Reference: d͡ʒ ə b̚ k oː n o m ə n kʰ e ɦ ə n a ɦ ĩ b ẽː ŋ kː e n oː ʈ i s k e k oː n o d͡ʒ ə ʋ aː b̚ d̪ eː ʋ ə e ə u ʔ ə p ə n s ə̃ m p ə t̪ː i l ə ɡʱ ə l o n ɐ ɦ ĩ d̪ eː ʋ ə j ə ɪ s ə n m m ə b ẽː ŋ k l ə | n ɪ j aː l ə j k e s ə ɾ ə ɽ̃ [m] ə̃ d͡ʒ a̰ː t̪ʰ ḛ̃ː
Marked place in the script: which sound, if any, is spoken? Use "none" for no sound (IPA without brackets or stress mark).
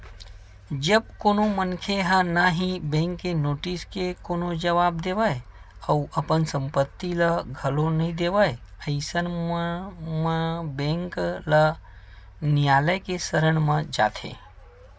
m